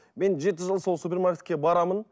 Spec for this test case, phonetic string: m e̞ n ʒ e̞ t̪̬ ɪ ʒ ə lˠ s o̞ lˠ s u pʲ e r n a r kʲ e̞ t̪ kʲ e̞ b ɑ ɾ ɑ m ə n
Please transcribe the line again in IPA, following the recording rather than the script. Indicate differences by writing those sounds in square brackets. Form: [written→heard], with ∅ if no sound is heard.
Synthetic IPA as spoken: m e̞ n ʒ e̞ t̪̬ ɪ ʒ ə lˠ s o̞ lˠ s u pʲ e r [n→m] a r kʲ e̞ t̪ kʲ e̞ b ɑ ɾ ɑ m ə n